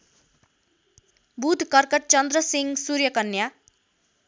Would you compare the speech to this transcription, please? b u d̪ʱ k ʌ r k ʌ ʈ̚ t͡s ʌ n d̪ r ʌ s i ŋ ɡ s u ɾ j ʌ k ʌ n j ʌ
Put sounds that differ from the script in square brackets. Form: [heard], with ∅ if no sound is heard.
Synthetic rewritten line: b u d̪ʱ k ʌ r k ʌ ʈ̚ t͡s ʌ n d̪ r ʌ s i ŋ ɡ s u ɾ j ʌ k ʌ n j [a]